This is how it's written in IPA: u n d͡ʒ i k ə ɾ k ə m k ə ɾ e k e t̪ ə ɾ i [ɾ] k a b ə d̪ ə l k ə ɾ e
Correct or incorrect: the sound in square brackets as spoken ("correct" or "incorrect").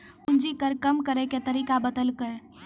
incorrect